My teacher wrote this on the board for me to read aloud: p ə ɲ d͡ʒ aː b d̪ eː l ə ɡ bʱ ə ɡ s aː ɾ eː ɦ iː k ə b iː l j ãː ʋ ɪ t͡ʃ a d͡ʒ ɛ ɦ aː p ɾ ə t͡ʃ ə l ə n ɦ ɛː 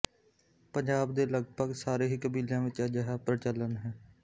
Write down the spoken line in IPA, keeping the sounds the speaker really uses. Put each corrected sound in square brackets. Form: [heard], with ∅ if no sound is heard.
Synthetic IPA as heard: p ə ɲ d͡ʒ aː b d̪ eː l ə ɡ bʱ ə ɡ s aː ɾ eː ɦ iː k ə b iː l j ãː ʋ ɪ t͡ʃ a d͡ʒ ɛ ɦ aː p ɾ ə t͡ʃ ə l ə n ɦ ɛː

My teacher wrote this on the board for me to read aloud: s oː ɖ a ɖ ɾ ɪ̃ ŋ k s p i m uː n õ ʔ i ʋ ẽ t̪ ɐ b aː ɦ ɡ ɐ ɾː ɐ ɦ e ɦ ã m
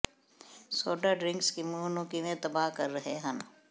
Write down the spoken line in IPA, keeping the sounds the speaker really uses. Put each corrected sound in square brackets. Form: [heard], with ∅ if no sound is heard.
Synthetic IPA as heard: s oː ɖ a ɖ ɾ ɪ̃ ŋ k s [k] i m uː n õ [k] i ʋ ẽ t̪ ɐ b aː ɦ [k] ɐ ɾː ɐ ɦ e ɦ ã [n]

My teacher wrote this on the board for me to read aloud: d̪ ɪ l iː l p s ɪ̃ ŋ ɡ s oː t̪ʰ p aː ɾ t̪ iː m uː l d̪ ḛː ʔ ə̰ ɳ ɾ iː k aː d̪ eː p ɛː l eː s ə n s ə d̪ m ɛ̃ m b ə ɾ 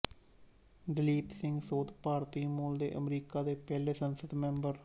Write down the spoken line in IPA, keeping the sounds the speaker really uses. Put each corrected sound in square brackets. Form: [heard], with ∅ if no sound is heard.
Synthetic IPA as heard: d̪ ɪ l iː [∅] p s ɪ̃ ŋ ɡ s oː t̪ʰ p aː ɾ t̪ iː m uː l d̪ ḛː ʔ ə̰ [m] ɾ iː k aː d̪ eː p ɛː l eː s ə n s ə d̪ m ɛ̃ m b ə ɾ

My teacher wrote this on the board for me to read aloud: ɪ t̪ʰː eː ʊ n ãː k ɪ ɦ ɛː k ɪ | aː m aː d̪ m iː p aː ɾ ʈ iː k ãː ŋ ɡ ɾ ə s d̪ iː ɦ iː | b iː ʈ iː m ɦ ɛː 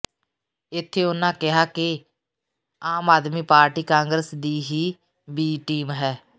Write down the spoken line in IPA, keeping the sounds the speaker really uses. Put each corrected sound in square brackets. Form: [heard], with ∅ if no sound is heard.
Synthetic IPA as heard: ɪ t̪ʰː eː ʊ n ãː k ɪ ɦ [aː] k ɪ | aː m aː d̪ m iː p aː ɾ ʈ iː k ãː ŋ ɡ ɾ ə s d̪ iː ɦ iː | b iː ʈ iː m ɦ ɛː

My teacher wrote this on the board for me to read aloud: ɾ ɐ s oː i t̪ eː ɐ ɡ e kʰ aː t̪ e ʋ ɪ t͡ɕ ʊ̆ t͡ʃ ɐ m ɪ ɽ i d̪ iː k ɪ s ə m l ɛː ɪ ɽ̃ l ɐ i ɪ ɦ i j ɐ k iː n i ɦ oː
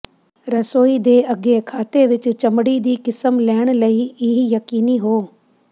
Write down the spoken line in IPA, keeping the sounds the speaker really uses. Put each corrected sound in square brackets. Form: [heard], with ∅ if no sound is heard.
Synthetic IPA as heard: ɾ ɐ s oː i [d̪] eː ɐ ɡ e kʰ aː t̪ e ʋ ɪ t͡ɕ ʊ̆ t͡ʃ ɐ m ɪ ɽ i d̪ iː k ɪ s ə m l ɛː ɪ ɽ̃ l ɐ i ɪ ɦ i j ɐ k iː n i ɦ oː

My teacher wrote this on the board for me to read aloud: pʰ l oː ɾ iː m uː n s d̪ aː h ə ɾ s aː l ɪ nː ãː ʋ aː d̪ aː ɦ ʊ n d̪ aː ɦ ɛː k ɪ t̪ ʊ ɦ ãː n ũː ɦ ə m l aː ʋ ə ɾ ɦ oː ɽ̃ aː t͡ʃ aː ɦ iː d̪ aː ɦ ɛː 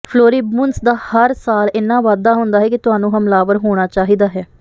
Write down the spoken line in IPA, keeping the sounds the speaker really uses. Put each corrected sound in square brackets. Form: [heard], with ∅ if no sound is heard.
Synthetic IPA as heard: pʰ l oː ɾ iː m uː n s d̪ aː h ə ɾ s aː l ɪ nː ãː ʋ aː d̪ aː ɦ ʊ n d̪ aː ɦ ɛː k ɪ t̪ ʊ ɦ [aː] n ũː ɦ ə m l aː ʋ ə ɾ ɦ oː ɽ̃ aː t͡ʃ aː ɦ iː d̪ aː ɦ ɛː

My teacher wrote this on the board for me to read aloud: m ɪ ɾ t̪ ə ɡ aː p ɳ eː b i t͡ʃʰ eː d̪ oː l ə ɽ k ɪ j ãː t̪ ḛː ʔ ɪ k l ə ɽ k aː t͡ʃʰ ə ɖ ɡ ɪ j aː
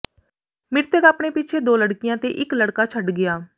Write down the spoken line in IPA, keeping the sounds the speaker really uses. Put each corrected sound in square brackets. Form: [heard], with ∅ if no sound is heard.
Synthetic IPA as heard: m ɪ ɾ t̪ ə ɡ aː p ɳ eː [p] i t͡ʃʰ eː d̪ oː l ə ɽ k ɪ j ãː t̪ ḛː ʔ ɪ k l ə ɽ k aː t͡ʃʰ ə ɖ ɡ ɪ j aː

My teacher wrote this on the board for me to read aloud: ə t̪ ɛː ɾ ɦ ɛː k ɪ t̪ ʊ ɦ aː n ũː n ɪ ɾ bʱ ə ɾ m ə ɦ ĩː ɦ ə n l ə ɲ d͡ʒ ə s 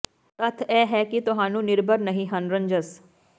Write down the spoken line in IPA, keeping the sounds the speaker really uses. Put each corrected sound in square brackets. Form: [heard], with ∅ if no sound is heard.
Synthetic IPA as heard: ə [t̪ʰ] ɛː [∅] ɦ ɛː k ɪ t̪ ʊ ɦ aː n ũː n ɪ ɾ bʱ ə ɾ [n] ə ɦ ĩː ɦ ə n [ɾ] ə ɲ d͡ʒ ə s

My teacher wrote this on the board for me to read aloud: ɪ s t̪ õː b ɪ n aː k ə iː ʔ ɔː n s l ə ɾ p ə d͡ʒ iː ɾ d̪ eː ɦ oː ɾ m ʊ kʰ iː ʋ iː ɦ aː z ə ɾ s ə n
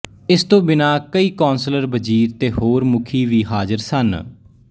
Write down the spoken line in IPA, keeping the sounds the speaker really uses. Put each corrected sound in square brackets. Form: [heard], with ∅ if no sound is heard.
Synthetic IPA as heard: ɪ s t̪ õː b ɪ n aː k ə iː [k] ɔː n s l ə ɾ [b] ə d͡ʒ iː ɾ [t̪] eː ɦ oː ɾ m ʊ kʰ iː ʋ iː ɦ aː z ə ɾ s ə n

